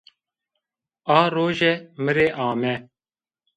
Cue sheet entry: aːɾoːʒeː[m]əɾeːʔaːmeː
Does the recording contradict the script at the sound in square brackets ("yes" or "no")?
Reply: no